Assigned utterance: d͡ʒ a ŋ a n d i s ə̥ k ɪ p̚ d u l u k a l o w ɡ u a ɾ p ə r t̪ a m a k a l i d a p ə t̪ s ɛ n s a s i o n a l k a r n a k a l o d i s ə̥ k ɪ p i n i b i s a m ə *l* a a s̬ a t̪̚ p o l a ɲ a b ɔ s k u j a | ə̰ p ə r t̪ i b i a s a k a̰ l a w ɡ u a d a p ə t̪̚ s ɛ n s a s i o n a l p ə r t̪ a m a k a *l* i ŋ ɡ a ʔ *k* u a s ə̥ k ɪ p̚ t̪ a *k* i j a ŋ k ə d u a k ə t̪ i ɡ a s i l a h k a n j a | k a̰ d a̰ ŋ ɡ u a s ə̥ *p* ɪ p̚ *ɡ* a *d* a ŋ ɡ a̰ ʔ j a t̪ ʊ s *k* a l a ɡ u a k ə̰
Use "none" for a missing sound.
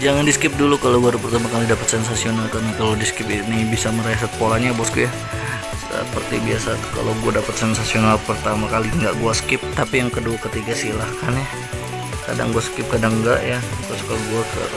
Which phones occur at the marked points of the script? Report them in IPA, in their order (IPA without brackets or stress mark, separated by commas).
ɾ, l, ɡ, p, k, k, d, k